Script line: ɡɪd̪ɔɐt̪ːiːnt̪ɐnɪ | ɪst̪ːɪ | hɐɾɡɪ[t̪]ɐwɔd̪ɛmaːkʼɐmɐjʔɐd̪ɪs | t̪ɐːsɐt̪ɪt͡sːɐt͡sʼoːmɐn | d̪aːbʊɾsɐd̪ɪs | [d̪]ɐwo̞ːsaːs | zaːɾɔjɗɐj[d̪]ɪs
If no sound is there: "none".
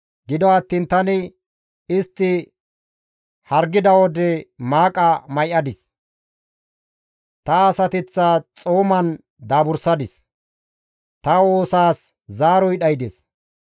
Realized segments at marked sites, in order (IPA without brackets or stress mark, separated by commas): d̪, t̪, d̪